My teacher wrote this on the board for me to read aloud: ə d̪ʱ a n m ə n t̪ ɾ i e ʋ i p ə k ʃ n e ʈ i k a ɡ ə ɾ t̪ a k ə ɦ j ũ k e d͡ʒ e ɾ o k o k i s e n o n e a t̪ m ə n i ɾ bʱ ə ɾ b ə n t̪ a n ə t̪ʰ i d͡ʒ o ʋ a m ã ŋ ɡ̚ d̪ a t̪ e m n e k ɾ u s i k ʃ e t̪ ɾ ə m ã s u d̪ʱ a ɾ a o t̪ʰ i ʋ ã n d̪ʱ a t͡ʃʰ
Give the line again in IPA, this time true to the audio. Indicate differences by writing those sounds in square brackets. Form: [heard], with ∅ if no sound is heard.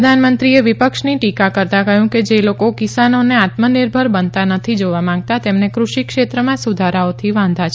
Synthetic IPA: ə d̪ʱ a n m ə n t̪ ɾ i e ʋ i p ə k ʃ n [i] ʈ i k a [k] ə ɾ t̪ a k ə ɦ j ũ k e d͡ʒ e [l] o k o k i s [a] n o n e a t̪ m ə n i ɾ bʱ ə ɾ b ə n t̪ a n ə t̪ʰ i d͡ʒ o ʋ a m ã ŋ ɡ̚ [t̪] a t̪ e m n e k ɾ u [ʃ] i k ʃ e t̪ ɾ ə m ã s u d̪ʱ a ɾ a o t̪ʰ i ʋ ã n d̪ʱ a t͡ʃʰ

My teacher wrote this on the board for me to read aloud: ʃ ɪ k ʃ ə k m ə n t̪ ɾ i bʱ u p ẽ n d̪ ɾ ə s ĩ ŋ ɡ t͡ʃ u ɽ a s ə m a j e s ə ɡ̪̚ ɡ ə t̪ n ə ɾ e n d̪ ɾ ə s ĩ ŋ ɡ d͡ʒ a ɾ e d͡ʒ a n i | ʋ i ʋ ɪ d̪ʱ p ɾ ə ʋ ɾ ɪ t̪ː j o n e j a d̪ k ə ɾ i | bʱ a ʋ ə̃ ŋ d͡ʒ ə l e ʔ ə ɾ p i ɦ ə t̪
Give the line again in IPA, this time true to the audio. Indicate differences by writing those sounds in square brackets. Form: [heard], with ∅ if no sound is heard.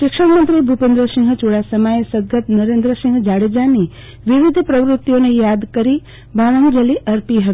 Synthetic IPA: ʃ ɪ k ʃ ə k m ə n t̪ ɾ i bʱ u p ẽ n d̪ ɾ ə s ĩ ŋ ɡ t͡ʃ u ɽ a s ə m a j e s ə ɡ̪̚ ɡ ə t̪ n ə ɾ e n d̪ ɾ ə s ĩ ŋ ɡ d͡ʒ a [ɽ] e d͡ʒ a n i | ʋ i ʋ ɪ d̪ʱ p ɾ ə ʋ ɾ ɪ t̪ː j o n e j a d̪ k ə ɾ i | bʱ a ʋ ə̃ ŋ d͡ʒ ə l [i] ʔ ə ɾ p i ɦ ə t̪

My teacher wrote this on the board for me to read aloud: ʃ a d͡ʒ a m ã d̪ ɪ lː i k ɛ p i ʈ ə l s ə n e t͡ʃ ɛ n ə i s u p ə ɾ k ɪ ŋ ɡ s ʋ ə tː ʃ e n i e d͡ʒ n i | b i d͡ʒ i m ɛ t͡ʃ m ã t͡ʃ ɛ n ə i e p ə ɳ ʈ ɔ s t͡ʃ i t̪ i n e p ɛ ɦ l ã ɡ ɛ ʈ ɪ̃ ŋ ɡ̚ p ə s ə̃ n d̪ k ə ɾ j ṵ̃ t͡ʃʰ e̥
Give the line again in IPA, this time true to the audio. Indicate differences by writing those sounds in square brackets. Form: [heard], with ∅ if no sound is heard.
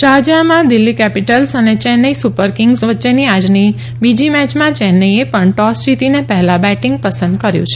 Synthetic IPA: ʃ a d͡ʒ a m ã d̪ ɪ lː i k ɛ p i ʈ ə l s ə n e t͡ʃ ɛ n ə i s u p ə ɾ k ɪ ŋ ɡ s ʋ ə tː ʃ e n i [a] d͡ʒ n i | b i d͡ʒ i m ɛ t͡ʃ m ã t͡ʃ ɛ n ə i e p ə ɳ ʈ ɔ s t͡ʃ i t̪ i n e p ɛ ɦ l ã [b] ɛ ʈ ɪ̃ ŋ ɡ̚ p ə s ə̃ n d̪ k ə ɾ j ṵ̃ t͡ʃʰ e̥

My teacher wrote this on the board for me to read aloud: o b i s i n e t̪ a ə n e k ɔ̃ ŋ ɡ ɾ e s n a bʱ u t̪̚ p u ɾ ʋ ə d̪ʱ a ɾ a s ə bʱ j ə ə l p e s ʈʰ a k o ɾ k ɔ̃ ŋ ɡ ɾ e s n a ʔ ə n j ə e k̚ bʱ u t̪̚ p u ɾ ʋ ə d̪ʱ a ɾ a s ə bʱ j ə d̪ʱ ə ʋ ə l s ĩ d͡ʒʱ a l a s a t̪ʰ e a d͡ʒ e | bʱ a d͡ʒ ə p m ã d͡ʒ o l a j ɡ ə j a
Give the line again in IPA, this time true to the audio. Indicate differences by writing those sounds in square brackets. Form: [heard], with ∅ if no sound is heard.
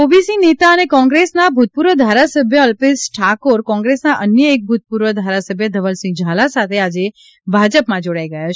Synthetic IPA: o b i s i n e t̪ a ə n e k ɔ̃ ŋ ɡ ɾ e s n a bʱ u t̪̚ p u ɾ ʋ ə d̪ʱ a ɾ a s ə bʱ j ə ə l p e s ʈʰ a k o ɾ k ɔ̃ ŋ ɡ ɾ e s n a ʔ ə n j ə e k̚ bʱ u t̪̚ p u ɾ ʋ ə d̪ʱ a ɾ a s ə bʱ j ə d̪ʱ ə ʋ ə l s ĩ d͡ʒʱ a l a s a t̪ʰ e a d͡ʒ e | bʱ a d͡ʒ ə p m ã d͡ʒ o [ɽ] a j ɡ ə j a

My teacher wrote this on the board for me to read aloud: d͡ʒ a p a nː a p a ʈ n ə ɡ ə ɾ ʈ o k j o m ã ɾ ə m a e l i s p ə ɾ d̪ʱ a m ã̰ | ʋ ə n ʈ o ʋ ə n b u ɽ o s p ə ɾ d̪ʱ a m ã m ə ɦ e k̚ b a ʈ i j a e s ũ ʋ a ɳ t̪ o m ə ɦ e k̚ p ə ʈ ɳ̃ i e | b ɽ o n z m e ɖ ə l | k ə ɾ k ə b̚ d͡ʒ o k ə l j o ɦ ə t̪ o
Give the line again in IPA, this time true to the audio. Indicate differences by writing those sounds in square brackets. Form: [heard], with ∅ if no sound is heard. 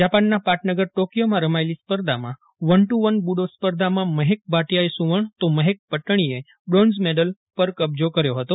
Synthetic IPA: d͡ʒ a p a nː a p a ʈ n ə ɡ ə ɾ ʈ o k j o m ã ɾ ə m a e l i s p ə ɾ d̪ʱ a m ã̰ | ʋ ə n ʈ [u] ʋ ə n b u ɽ o s p ə ɾ d̪ʱ a m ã m ə ɦ e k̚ b a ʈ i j a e s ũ ʋ [ə] ɳ t̪ o m ə ɦ e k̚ p ə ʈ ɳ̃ i e | b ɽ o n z m e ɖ ə l | [p] ə ɾ k ə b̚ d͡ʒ o k ə [ɾ] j o ɦ ə t̪ o

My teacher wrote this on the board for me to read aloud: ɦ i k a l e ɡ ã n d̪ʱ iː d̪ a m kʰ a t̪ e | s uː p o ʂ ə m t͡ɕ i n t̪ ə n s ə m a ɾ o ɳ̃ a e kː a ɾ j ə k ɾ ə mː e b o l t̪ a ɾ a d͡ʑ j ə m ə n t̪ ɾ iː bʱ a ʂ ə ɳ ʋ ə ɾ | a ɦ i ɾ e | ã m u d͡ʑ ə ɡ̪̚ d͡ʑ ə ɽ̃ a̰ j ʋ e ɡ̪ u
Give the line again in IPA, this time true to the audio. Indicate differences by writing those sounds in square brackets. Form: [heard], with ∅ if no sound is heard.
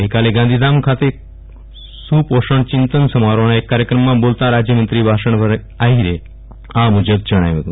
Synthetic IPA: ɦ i k a l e ɡ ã n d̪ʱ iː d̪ a m kʰ a t̪ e | s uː p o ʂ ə [ɳ] t͡ɕ i n t̪ ə n s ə m a ɾ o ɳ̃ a e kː a ɾ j ə k ɾ ə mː [a] b o l t̪ a ɾ a d͡ʑ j ə m ə n t̪ ɾ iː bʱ a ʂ ə ɳ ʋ ə ɾ | a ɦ i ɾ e | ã m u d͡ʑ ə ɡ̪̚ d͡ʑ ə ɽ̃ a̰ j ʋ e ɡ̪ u

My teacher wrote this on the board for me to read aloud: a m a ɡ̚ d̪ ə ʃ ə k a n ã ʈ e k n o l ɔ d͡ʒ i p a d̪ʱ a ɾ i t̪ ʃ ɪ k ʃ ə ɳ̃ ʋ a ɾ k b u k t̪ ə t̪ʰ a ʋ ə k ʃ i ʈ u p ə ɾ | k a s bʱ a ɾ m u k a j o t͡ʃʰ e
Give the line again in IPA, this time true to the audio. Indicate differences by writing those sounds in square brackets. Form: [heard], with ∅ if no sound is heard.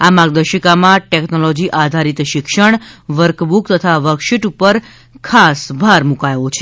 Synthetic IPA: a m a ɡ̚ d̪ ə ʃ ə k a [m] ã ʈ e k n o l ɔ d͡ʒ i [ʔ] a d̪ʱ a ɾ i t̪ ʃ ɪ k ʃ ə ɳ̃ ʋ [ə] ɾ k b u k t̪ ə t̪ʰ a ʋ ə k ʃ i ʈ u p ə ɾ | [kʰ] a s bʱ a ɾ m u k a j o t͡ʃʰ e

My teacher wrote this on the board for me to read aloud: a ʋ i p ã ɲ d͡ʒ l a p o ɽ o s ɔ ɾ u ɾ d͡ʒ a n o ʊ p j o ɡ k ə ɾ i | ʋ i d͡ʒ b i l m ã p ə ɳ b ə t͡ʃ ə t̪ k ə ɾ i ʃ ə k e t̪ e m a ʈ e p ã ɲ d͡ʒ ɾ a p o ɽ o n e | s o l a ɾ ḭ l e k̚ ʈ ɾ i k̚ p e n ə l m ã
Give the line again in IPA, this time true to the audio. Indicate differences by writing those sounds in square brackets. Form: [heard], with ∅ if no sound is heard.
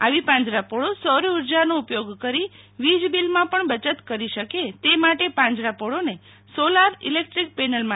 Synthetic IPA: a ʋ i p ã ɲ d͡ʒ [ɾ] a p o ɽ o s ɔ ɾ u ɾ d͡ʒ a n o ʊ p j o ɡ k ə ɾ i | ʋ i d͡ʒ b i l m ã p ə ɳ b ə t͡ʃ ə t̪ k ə ɾ i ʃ ə k e t̪ e m a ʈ e p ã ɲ d͡ʒ ɾ a p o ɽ o n e | s o l a ɾ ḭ l e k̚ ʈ ɾ i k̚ p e n ə l m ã

